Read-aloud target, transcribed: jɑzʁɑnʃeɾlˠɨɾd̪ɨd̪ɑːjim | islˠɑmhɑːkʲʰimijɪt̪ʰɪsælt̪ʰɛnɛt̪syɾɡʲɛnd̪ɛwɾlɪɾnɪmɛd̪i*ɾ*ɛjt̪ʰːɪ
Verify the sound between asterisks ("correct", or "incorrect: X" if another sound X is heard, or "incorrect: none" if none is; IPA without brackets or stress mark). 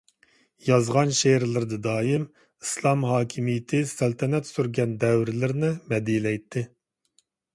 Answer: incorrect: l